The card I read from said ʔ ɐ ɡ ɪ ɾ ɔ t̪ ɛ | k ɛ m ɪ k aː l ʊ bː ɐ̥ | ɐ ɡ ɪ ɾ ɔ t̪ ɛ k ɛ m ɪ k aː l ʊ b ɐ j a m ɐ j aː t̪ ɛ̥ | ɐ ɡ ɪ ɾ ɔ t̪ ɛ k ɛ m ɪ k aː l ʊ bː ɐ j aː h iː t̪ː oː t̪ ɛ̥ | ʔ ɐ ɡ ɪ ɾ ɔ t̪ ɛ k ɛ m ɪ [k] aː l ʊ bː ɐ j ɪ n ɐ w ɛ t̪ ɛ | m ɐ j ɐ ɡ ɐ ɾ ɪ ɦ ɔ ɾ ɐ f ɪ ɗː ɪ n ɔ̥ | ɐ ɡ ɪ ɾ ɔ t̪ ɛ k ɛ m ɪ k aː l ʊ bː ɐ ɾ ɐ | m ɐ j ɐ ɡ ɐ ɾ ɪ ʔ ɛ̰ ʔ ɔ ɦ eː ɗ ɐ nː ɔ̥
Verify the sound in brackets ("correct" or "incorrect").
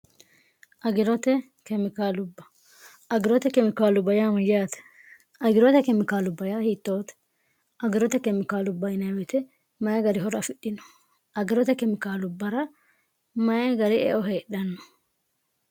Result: correct